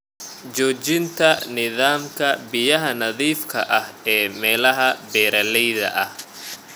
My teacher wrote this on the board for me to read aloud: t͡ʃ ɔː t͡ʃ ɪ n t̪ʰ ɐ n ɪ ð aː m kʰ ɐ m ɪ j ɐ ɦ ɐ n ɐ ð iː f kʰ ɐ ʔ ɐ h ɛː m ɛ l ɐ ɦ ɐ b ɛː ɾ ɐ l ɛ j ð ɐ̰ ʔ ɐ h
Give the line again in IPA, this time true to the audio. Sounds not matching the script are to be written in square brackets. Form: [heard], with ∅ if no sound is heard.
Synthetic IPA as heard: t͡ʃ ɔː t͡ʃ ɪ n t̪ʰ ɐ n ɪ ð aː m kʰ ɐ [b] ɪ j ɐ ɦ ɐ n ɐ ð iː f kʰ ɐ ʔ ɐ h ɛː m [ɛː] l ɐ ɦ ɐ b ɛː ɾ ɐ l ɛ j ð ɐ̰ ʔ ɐ h